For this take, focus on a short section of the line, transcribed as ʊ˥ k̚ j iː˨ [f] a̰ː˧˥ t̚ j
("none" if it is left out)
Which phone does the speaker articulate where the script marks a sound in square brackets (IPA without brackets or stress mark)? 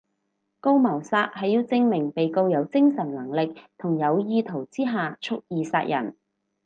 s